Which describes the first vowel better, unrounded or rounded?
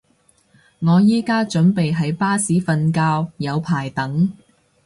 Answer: rounded